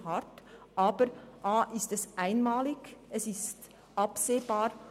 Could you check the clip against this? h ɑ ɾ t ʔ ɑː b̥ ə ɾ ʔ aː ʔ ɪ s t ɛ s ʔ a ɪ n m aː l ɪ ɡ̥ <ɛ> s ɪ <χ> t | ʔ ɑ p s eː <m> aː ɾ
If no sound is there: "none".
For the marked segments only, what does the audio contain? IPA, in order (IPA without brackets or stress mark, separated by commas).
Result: ɛ, s, b